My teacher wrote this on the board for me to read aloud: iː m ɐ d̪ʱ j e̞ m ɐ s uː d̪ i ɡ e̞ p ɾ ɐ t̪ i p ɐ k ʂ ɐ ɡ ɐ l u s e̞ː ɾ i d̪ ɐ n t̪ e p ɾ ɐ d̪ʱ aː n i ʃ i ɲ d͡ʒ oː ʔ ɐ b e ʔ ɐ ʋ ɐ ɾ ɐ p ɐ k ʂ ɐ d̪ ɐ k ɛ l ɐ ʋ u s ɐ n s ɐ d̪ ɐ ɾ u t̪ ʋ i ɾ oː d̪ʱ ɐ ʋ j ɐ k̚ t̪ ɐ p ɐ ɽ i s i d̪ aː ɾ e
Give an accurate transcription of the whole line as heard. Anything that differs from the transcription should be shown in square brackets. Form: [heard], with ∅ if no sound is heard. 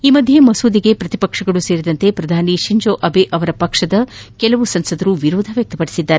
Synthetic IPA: iː m ɐ d̪ʱ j e̞ m ɐ s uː d̪ i ɡ e̞ p ɾ ɐ t̪ i p ɐ k ʂ ɐ ɡ ɐ [ɭ] u s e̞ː ɾ i d̪ ɐ n t̪ e p ɾ ɐ d̪ʱ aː n i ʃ i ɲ d͡ʒ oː ʔ ɐ b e ʔ ɐ ʋ ɐ ɾ ɐ p ɐ k ʂ ɐ d̪ ɐ k ɛ l ɐ ʋ u s ɐ n s ɐ d̪ ɐ ɾ u [∅] ʋ i ɾ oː d̪ʱ ɐ ʋ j ɐ k̚ t̪ ɐ p ɐ ɽ i s i [d̪ː] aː ɾ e